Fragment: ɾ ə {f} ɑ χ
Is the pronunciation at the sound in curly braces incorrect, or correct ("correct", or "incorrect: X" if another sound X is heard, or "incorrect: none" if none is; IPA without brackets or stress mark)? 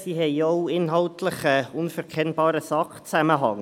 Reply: incorrect: s